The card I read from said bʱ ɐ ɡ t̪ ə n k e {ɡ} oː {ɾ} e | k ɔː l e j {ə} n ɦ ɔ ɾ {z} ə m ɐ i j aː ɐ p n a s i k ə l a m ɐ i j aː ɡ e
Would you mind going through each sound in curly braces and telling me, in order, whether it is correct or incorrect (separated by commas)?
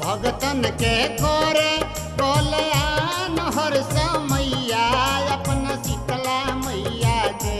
incorrect, correct, incorrect, incorrect